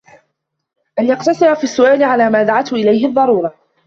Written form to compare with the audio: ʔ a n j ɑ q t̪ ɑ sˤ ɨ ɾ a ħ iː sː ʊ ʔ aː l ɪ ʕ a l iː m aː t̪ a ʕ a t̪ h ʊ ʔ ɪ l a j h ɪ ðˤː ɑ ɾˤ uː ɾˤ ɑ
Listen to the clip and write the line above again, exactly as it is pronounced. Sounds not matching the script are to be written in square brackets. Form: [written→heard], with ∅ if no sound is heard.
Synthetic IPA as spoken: ʔ a n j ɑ q t̪ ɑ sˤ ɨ ɾ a [ħ→f] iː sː ʊ ʔ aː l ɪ ʕ a l [iː→aː] m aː [t̪→d̪] a ʕ a t̪ h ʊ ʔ ɪ l a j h ɪ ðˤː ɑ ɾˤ uː ɾˤ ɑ